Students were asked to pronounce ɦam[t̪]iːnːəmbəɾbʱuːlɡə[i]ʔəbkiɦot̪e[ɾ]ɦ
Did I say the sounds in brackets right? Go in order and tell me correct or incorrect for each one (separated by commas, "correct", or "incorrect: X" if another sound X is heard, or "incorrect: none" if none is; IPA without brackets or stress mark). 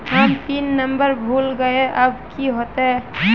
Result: correct, incorrect: e, incorrect: none